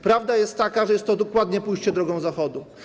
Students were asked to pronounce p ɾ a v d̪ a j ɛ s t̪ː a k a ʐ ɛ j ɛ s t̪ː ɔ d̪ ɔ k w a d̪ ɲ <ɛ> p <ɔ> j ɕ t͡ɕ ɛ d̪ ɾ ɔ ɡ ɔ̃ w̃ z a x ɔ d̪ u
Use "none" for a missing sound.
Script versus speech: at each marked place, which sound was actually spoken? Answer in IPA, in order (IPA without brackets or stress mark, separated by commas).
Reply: ɛ, u